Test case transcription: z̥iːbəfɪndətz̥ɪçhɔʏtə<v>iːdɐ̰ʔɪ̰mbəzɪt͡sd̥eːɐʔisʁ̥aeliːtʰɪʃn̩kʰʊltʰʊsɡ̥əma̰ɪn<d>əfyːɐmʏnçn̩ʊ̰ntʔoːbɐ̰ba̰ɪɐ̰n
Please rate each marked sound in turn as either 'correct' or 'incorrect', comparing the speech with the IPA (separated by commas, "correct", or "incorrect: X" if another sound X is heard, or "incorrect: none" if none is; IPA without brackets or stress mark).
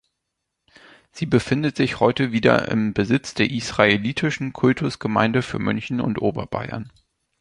correct, correct